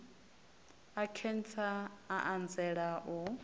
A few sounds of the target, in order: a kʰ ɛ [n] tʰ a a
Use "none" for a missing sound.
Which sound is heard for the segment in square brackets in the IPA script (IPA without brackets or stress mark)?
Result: n